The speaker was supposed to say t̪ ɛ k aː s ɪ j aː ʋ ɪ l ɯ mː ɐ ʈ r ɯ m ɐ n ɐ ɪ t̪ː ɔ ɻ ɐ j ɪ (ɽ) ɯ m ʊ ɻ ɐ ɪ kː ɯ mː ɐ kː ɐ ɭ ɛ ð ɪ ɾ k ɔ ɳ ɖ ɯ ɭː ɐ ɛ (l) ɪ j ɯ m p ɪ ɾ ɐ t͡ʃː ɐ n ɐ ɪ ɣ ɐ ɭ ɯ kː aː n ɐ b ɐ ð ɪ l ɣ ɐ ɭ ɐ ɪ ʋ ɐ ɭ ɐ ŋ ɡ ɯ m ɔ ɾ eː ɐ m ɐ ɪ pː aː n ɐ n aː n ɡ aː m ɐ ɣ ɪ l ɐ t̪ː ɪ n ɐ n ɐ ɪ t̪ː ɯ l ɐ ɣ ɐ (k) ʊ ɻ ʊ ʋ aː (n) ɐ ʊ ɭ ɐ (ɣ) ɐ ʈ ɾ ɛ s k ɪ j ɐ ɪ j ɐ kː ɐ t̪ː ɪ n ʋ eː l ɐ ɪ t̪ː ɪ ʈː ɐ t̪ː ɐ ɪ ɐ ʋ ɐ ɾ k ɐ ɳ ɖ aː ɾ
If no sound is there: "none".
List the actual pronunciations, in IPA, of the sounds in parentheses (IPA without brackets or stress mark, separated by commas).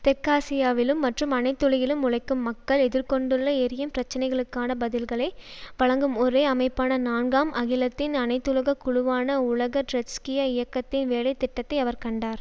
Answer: l, ɾ, k, n, ɣ